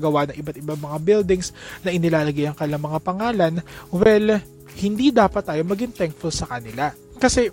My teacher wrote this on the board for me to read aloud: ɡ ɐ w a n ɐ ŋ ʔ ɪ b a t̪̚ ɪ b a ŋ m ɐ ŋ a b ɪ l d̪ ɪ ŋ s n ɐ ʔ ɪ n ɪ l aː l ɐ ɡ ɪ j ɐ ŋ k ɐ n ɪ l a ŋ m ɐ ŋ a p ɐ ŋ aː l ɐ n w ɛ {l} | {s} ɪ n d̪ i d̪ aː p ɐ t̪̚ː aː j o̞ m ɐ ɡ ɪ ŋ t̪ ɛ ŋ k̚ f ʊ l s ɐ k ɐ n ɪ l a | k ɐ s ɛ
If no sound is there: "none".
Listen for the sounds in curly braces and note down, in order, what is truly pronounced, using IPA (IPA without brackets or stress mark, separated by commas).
l, h